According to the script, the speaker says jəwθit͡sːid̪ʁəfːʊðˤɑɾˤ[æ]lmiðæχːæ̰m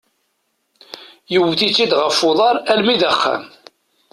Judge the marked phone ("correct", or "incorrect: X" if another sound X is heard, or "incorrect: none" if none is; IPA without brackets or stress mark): correct